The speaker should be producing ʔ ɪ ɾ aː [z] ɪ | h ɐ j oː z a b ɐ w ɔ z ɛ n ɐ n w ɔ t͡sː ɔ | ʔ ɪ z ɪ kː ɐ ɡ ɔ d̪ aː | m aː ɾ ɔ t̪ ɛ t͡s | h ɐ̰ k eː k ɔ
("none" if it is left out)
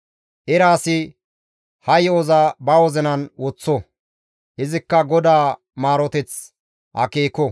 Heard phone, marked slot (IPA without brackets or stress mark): s